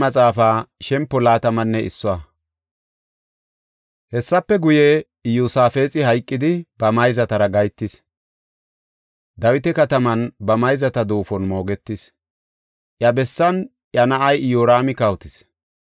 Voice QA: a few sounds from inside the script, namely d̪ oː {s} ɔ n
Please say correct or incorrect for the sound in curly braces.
incorrect